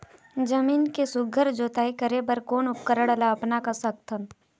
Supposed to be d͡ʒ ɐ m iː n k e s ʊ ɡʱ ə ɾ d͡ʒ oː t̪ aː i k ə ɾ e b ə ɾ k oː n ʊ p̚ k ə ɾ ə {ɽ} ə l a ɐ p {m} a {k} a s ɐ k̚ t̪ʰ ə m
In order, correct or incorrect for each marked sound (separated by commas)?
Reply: correct, incorrect, correct